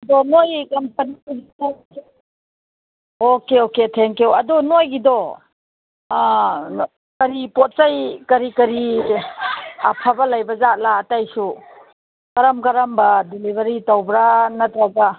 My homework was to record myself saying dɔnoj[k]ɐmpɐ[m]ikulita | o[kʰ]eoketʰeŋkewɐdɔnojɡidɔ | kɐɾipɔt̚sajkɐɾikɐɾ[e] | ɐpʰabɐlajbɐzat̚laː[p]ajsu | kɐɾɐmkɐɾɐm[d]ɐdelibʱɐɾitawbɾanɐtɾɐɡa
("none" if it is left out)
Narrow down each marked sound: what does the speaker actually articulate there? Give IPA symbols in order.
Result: k, n, k, i, t, b

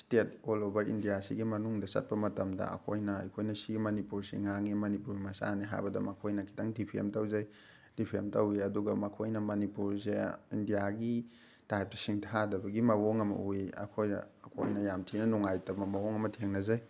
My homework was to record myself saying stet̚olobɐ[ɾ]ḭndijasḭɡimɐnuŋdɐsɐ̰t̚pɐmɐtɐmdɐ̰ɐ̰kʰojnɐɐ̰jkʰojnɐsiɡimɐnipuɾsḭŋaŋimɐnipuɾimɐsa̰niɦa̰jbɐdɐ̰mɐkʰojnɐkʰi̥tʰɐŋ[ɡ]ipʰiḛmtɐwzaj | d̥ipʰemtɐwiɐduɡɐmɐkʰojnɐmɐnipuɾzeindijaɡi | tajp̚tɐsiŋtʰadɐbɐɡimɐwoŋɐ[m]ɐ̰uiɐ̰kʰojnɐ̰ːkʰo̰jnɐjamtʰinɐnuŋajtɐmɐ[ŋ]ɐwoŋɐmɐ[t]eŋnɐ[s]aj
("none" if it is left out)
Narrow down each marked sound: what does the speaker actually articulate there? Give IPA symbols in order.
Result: ɾ, d, m, m, tʰ, z

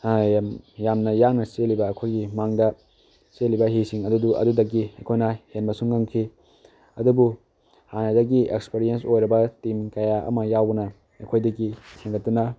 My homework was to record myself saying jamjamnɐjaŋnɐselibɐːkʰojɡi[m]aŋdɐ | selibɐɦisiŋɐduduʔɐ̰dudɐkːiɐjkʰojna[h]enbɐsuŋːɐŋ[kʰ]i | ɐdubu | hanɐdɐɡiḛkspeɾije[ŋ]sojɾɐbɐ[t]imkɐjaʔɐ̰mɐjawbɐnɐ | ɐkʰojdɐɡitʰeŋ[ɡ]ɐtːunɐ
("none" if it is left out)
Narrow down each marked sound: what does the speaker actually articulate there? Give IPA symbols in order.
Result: m, h, kʰ, n, t, ɡ

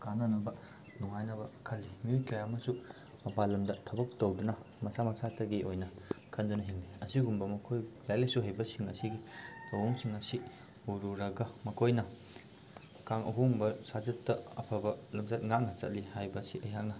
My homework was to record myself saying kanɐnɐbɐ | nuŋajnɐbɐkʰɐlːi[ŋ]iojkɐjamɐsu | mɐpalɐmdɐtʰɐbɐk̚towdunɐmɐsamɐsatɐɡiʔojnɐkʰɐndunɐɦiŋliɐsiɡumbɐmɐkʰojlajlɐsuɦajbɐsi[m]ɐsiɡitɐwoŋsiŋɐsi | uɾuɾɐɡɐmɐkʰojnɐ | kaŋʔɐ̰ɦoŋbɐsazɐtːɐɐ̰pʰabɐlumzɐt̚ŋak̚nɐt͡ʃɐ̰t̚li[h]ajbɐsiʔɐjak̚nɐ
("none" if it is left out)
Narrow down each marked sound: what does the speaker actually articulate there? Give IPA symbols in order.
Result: m, ŋ, h

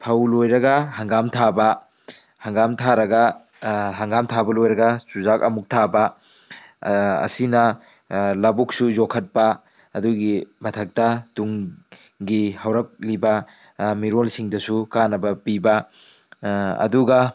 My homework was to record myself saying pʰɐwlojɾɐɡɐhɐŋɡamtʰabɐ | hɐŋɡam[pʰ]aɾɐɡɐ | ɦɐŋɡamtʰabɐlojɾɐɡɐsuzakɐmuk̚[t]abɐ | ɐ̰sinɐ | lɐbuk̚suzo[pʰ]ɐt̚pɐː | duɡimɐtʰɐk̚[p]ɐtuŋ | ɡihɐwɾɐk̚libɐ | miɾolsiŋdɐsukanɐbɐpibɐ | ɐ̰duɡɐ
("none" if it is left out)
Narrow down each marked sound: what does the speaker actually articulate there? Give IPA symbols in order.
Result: tʰ, tʰ, kʰ, t

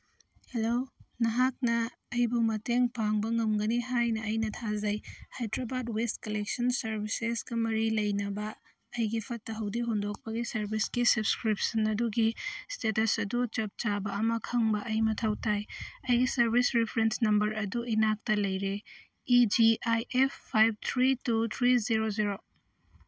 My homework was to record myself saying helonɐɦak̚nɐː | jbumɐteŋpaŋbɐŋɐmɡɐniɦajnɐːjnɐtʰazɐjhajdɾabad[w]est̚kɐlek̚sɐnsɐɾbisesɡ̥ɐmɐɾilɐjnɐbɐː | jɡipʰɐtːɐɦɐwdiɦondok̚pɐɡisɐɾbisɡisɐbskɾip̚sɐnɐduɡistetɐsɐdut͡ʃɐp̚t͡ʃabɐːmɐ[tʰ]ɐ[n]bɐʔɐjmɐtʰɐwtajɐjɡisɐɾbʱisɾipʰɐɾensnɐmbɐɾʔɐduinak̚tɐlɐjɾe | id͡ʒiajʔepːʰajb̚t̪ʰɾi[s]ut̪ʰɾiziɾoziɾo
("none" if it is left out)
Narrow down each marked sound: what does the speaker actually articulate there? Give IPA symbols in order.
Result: w, kʰ, ŋ, t

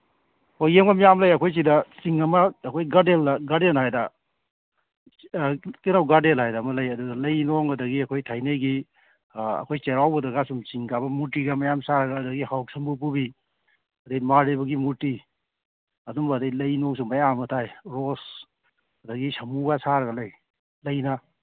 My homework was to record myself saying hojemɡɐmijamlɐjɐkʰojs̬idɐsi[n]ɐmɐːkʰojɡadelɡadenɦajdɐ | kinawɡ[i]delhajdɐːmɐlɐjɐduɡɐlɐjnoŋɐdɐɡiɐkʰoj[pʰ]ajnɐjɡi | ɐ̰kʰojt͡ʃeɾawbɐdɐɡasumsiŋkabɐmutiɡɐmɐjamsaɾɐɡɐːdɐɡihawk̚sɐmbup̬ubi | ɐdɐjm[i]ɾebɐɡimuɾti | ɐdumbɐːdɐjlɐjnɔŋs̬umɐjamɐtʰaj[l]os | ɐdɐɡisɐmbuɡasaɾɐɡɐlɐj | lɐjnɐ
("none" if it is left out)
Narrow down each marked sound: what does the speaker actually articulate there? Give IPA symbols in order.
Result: ŋ, a, tʰ, a, ɾ

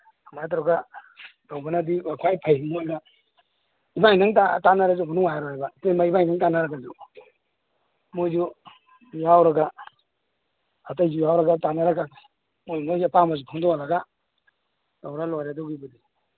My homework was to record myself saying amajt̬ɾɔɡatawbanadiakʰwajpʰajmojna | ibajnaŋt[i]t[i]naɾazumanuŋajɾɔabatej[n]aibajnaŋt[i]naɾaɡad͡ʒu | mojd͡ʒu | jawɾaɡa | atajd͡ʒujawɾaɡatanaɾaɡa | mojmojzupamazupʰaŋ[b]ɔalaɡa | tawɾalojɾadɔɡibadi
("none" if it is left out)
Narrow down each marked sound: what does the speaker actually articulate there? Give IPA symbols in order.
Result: a, a, m, a, d

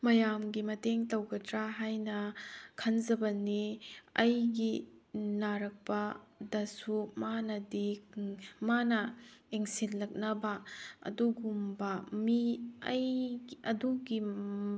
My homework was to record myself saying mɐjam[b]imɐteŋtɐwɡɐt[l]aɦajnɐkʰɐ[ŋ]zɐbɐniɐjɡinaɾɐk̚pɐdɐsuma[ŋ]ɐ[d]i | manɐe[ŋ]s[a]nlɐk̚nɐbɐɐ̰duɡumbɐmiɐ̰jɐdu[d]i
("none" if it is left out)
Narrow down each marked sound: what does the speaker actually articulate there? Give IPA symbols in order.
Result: ɡ, ɾ, n, n, d, ŋ, i, ɡ

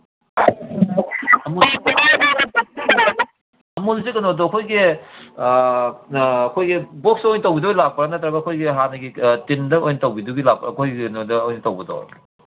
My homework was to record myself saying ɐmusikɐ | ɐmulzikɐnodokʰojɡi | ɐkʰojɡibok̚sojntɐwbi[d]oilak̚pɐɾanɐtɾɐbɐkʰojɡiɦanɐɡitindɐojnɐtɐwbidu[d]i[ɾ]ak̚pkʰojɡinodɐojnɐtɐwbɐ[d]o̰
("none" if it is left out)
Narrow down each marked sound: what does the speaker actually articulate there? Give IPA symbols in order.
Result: d, ɡ, l, d

